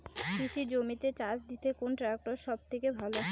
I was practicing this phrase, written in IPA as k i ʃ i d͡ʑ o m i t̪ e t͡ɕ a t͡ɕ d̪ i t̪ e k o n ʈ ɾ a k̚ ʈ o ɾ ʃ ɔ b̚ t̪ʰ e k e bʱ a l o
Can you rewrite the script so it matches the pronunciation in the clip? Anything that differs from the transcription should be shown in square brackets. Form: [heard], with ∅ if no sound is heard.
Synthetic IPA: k i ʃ i d͡ʑ o m i t̪ e t͡ɕ a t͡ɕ d̪ i t̪ e k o n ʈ ɾ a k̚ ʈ o ɾ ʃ ɔ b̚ t̪ʰ e k e bʱ a l o

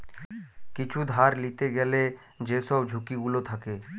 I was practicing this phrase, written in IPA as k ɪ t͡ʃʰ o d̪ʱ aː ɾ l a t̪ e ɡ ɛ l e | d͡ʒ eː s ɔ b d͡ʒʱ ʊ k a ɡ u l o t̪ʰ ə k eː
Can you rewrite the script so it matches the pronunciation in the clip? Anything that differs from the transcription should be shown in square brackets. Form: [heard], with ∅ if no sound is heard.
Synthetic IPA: k ɪ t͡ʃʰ [u] d̪ʱ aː ɾ l [i] t̪ e ɡ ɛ l e | d͡ʒ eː s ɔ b d͡ʒʱ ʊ k [i] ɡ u l o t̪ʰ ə k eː

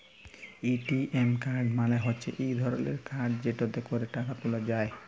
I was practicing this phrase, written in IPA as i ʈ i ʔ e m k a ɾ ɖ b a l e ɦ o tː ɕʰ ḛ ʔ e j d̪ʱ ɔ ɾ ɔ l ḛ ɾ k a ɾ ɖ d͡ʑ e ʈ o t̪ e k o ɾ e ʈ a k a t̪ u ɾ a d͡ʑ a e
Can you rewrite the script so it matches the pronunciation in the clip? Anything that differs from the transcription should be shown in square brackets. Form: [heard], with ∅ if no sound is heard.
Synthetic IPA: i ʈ i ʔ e m k a ɾ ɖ [m] a l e ɦ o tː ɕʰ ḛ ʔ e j d̪ʱ ɔ ɾ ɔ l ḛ ɾ k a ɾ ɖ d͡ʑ e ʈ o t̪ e k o ɾ e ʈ a k a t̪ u [l] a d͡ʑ a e

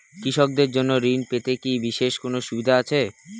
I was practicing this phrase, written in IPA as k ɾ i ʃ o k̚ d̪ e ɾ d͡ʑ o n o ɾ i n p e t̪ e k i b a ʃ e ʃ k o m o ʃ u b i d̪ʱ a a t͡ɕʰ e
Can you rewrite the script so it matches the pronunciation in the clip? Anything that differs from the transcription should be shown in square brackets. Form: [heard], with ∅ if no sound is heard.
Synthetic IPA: k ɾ i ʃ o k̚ d̪ e ɾ d͡ʑ o [nː] o ɾ i n p e t̪ e k i b [i] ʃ e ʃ k o [n] o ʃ u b i d̪ʱ a a t͡ɕʰ e

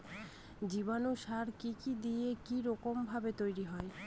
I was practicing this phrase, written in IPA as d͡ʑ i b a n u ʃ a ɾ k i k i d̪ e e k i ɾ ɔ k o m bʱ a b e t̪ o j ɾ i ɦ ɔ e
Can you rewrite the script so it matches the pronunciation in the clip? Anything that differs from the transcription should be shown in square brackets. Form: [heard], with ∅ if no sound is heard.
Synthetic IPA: d͡ʑ i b a n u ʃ a ɾ k i k i d̪ [i] e k i ɾ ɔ k o m bʱ a b e t̪ o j ɾ i ɦ ɔ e

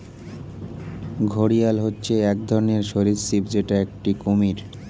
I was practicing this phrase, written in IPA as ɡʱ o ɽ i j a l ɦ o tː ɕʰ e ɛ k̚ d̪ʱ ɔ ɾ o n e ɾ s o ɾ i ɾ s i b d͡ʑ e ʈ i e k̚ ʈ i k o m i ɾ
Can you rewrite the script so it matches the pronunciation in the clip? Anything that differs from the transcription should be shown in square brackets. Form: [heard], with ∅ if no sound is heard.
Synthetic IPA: ɡʱ o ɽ i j a l ɦ o tː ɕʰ e ɛ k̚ d̪ʱ ɔ ɾ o n e ɾ [ʃ] o ɾ i ɾ s i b d͡ʑ e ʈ [a] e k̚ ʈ i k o m i ɾ

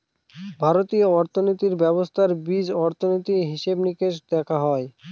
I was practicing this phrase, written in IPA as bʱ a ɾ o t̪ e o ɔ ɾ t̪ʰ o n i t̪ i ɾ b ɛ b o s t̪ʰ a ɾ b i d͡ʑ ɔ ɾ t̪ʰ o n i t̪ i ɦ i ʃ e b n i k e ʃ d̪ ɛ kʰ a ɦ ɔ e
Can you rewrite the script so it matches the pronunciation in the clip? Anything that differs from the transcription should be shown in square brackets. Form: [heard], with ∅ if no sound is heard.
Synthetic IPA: bʱ a ɾ o t̪ [i] o ɔ ɾ t̪ʰ o n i t̪ i ɾ b ɛ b o s t̪ʰ a ɾ b i d͡ʑ ɔ ɾ t̪ʰ o n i t̪ i ɦ i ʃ e b n i k e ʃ d̪ ɛ kʰ a ɦ ɔ e

